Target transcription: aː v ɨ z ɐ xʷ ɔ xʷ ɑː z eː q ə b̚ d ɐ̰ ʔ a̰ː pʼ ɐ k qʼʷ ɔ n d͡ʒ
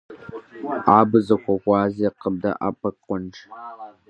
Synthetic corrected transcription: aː b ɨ z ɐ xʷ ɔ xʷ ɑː z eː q ə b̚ d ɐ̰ ʔ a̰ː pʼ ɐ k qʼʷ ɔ n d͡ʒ